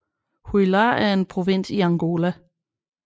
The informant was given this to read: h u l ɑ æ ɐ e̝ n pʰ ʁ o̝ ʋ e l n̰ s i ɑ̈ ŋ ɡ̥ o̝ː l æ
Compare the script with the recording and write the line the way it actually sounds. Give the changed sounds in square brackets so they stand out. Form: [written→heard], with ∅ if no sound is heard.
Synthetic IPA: h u l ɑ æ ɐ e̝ n pʰ ʁ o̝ ʋ e [l→∅] n̰ s i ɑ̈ ŋ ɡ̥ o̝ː l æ